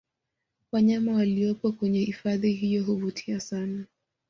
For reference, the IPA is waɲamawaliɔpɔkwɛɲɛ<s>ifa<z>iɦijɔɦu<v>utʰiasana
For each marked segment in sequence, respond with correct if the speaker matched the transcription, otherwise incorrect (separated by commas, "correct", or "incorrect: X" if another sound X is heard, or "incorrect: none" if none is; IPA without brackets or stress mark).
incorrect: h, incorrect: ð, correct